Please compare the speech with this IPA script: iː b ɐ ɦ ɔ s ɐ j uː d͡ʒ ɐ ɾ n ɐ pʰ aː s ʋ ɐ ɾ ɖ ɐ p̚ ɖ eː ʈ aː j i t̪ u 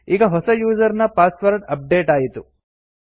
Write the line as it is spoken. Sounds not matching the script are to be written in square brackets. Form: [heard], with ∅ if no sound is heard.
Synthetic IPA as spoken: iː [ɡ] ɐ ɦ ɔ s ɐ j uː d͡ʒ ɐ ɾ n ɐ [p] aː s ʋ ɐ ɾ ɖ ɐ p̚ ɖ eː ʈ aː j i t̪ u